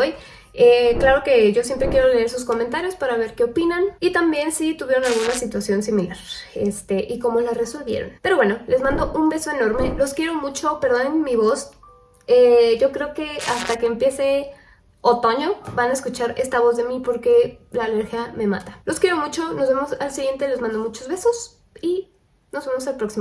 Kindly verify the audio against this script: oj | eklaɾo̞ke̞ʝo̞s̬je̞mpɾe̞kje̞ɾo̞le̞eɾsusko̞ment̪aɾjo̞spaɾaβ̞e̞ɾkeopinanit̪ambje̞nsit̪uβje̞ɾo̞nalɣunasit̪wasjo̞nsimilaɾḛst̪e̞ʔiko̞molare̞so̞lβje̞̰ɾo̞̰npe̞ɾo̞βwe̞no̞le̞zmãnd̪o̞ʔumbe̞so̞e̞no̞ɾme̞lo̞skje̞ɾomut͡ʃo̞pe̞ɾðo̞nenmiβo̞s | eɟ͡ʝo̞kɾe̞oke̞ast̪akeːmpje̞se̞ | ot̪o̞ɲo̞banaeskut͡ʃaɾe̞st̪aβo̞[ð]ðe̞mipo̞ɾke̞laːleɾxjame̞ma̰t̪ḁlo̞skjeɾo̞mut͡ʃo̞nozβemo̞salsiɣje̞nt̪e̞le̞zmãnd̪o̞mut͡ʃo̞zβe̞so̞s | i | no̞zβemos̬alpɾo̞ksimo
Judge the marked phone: incorrect: z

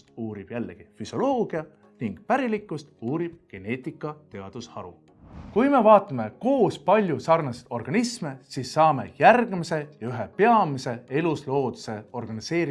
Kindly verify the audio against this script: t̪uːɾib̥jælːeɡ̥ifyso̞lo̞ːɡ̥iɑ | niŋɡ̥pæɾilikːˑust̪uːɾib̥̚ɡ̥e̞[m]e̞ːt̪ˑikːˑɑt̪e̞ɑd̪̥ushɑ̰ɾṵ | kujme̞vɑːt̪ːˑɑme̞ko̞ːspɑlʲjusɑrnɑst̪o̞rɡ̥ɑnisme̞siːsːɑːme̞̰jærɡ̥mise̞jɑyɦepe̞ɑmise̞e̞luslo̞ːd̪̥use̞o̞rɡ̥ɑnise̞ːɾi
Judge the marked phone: incorrect: n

